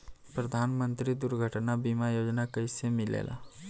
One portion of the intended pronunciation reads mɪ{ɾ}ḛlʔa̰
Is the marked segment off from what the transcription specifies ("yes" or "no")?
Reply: yes